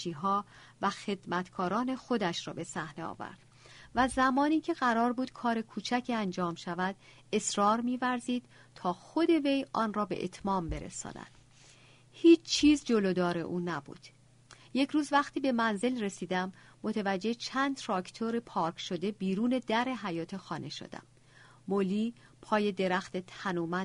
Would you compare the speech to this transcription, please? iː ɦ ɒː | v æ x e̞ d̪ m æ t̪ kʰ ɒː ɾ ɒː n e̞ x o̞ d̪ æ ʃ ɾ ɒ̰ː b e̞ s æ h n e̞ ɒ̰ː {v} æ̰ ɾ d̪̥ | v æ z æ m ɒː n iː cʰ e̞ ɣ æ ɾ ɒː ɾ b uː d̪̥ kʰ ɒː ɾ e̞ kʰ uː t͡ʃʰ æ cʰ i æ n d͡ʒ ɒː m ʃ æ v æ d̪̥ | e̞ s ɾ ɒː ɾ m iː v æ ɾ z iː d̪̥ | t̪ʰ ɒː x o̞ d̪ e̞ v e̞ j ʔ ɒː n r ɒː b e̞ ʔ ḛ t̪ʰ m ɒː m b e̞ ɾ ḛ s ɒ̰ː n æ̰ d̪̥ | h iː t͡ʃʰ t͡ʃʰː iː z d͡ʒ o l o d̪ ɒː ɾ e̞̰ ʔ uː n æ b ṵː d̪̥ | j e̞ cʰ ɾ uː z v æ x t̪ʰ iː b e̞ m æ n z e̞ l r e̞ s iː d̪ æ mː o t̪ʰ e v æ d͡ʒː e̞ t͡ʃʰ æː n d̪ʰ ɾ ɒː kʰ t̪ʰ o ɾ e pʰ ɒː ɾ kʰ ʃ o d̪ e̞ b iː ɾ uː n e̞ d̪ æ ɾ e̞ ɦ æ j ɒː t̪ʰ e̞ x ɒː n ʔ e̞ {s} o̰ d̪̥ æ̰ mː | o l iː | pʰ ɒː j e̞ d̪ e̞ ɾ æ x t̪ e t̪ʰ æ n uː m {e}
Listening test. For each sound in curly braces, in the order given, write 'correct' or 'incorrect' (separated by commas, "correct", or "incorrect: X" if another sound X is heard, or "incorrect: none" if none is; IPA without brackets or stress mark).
correct, incorrect: ʃ, incorrect: æ